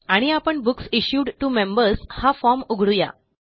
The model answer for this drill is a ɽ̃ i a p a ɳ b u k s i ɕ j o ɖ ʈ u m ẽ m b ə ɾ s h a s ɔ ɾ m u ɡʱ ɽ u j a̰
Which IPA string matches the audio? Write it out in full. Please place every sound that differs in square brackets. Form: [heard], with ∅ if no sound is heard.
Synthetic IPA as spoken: a ɽ̃ i a p [ə] ɳ b u k s i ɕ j [u] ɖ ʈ u m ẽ m b ə ɾ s h a [f] ɔ ɾ m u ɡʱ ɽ u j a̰